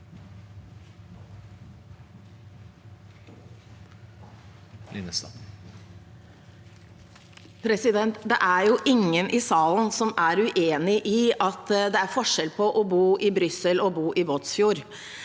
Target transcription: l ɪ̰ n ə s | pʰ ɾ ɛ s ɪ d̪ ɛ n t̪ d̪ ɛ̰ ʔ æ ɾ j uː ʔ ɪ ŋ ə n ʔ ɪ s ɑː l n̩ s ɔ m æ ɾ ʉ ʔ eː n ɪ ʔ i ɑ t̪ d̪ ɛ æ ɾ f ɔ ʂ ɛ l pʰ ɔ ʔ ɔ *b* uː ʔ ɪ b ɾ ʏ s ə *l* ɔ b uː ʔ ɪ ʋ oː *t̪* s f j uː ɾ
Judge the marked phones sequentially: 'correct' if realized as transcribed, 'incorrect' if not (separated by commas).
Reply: correct, correct, correct